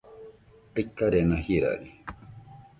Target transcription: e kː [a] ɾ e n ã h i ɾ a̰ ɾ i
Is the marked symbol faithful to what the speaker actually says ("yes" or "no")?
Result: yes